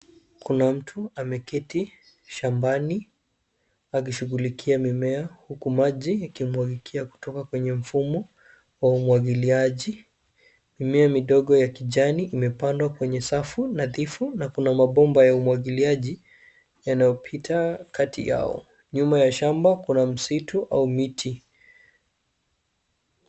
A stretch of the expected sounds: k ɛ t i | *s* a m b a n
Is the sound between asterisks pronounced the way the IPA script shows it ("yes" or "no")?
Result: no